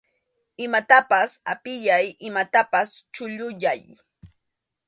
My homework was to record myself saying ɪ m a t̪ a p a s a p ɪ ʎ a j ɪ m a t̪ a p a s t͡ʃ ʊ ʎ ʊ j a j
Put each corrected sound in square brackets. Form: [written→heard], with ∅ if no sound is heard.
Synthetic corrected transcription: ɪ m a t̪ a p a s a p ɪ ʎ a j ɪ m a t̪ a p a s t͡ʃ ʊ ʎ ʊ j a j

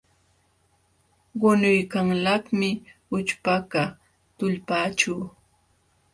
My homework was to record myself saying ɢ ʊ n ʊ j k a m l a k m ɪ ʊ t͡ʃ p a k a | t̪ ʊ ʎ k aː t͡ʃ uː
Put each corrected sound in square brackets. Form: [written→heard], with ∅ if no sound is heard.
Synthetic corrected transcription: ɢ ʊ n ʊ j k a [m→ŋ] l a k m ɪ ʊ t͡ʃ p a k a | t̪ ʊ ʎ [k→p] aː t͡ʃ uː

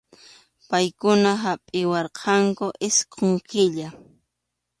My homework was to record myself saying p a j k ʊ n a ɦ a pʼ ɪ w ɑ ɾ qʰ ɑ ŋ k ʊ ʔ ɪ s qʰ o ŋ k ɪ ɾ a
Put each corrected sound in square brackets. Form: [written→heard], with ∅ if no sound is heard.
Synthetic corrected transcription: p a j k ʊ n a ɦ a pʼ ɪ w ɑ ɾ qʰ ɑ ŋ k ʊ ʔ ɪ s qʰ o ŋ k ɪ [ɾ→ʎ] a

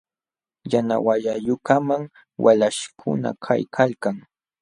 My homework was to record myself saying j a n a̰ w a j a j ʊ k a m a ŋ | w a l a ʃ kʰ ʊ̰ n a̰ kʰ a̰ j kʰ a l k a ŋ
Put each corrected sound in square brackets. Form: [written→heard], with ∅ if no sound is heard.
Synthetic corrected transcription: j a n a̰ w a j a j ʊ k a m a ŋ | w a l a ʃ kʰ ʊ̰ n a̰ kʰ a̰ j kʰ a l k a ŋ

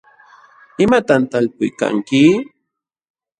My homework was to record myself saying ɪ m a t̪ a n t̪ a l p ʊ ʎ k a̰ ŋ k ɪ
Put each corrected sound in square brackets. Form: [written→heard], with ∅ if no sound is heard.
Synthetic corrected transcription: ɪ m a t̪ a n t̪ a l p ʊ [ʎ→j] k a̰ ŋ k ɪ

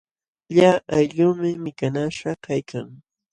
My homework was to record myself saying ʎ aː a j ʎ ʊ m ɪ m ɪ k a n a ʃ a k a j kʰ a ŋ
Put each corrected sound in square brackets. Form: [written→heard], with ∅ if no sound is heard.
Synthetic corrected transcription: ʎ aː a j ʎ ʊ m ɪ m ɪ k a n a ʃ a k a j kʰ a ŋ

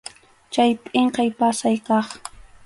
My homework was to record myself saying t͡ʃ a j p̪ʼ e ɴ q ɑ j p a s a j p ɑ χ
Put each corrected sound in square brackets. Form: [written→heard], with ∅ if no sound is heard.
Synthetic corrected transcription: t͡ʃ a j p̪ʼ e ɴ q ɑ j p a s a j [p→k] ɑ χ

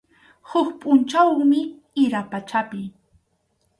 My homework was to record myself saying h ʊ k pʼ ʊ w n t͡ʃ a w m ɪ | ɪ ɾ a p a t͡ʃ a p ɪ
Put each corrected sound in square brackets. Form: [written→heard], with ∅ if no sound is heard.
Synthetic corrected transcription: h ʊ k pʼ ʊ [w→∅] n t͡ʃ a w m ɪ | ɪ ɾ a p a t͡ʃ a p ɪ

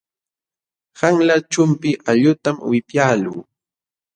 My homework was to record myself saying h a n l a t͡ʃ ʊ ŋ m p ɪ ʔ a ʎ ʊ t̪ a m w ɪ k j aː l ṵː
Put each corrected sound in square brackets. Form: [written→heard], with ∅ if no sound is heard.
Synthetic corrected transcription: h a [n→ŋ] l a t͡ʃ ʊ [ŋ→∅] m p ɪ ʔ a ʎ ʊ t̪ a m w ɪ [k→p] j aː l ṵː

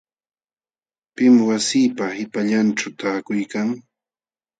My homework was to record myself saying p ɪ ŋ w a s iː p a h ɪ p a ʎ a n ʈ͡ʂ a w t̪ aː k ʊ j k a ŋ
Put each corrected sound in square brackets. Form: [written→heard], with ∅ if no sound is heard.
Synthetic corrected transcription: p ɪ [ŋ→m] w a s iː p a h ɪ p a ʎ a n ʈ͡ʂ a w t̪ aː k ʊ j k a ŋ

